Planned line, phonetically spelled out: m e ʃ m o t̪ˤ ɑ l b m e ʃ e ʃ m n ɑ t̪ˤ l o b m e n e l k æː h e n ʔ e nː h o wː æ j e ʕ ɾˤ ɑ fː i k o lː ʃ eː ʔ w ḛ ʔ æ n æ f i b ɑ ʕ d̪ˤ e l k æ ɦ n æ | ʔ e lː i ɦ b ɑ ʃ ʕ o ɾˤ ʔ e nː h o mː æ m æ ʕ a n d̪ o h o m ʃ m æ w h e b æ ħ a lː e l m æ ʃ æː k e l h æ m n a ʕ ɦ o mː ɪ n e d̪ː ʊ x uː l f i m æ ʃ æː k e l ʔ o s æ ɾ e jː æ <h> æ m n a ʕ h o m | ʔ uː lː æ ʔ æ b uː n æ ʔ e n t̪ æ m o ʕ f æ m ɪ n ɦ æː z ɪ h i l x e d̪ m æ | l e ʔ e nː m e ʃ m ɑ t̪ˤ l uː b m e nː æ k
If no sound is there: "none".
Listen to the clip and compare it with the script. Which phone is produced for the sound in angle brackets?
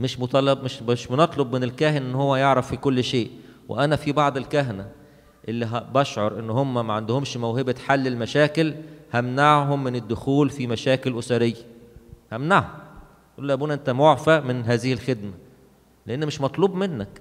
h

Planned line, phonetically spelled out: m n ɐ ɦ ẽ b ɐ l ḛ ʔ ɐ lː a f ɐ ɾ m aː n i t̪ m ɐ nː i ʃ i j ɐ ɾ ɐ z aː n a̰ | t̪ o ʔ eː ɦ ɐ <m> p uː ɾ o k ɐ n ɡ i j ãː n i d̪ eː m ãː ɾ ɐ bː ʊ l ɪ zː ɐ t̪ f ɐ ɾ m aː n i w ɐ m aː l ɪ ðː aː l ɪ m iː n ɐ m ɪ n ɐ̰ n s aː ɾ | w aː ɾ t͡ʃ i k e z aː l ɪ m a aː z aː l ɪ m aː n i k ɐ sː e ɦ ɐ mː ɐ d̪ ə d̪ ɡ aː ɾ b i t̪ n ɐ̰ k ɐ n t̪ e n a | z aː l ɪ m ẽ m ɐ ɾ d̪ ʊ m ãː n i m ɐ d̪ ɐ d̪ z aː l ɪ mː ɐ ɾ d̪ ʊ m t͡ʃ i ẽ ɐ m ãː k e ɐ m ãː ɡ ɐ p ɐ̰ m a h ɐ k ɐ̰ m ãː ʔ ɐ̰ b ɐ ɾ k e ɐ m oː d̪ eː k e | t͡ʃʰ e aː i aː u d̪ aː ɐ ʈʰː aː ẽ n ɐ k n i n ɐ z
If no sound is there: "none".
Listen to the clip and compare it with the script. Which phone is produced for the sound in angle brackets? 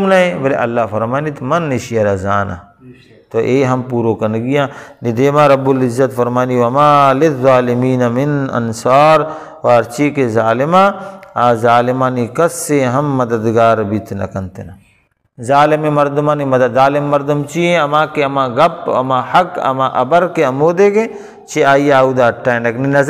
m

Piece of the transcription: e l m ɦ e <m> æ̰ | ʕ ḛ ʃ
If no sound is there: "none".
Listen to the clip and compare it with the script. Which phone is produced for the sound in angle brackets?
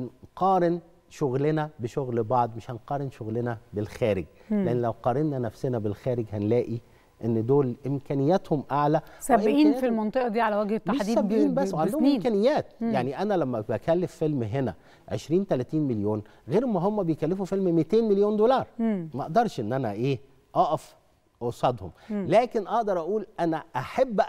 n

